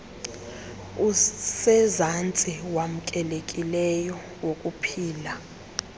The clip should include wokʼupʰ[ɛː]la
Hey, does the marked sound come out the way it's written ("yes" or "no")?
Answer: no